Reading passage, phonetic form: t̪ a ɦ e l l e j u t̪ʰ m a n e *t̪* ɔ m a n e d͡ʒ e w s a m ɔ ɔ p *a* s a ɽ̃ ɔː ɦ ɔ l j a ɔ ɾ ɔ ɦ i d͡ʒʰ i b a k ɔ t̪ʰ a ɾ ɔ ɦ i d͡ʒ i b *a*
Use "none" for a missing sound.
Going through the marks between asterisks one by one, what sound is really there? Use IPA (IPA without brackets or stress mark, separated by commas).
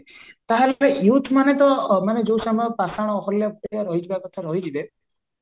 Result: t̪, a, e